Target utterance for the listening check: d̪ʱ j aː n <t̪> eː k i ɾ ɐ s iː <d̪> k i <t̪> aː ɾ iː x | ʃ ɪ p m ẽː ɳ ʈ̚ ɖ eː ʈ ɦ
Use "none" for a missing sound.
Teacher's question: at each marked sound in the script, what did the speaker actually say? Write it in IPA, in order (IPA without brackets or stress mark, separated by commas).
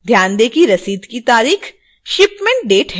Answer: d̪, d̪, t̪